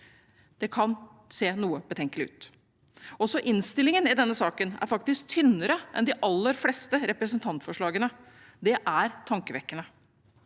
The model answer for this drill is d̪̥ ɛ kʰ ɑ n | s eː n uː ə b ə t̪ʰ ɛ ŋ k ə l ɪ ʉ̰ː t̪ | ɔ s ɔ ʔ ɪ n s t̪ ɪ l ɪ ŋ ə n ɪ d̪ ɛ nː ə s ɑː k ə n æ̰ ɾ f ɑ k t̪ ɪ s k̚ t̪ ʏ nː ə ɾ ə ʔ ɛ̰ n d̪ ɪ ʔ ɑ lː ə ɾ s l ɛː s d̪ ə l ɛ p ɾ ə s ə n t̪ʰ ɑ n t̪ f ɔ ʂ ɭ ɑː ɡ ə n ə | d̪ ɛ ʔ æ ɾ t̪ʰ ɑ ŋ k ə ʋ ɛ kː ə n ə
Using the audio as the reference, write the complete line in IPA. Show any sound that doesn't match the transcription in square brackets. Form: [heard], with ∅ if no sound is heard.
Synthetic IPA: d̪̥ ɛ kʰ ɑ n | s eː n uː ə b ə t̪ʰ ɛ ŋ k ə l ɪ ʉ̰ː t̪ | ɔ s ɔ ʔ ɪ n s t̪ ɪ l ɪ ŋ ə n ɪ d̪ ɛ nː ə s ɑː k ə n æ̰ ɾ f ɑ k t̪ ɪ s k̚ [t̪ʰ] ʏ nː ə ɾ ə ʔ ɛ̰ n d̪ ɪ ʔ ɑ lː ə ɾ [f] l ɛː s [t̪] ə [ɾ] ɛ p ɾ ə s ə n t̪ʰ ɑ n t̪ f ɔ ʂ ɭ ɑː ɡ ə n ə | d̪ ɛ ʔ æ ɾ t̪ʰ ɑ ŋ k ə ʋ ɛ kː ə n ə